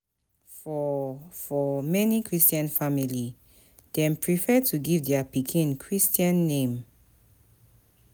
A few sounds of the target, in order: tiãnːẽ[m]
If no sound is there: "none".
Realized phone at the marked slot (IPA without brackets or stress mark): m